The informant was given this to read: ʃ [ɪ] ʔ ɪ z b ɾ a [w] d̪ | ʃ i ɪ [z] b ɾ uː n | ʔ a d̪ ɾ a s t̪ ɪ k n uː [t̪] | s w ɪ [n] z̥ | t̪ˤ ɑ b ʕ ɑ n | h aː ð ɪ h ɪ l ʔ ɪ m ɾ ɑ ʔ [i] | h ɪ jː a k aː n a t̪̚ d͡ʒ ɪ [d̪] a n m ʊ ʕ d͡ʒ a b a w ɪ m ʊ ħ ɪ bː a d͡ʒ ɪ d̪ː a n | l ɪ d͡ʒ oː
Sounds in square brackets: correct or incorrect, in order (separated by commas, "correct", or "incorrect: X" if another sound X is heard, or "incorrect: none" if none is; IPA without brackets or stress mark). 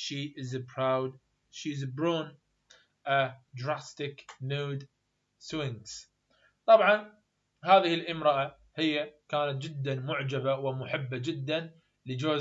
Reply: incorrect: i, correct, correct, incorrect: d̪, incorrect: ŋ, incorrect: a, incorrect: d̪ː